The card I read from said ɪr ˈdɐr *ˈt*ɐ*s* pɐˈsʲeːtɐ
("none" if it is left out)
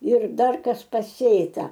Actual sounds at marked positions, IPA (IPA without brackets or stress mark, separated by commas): k, s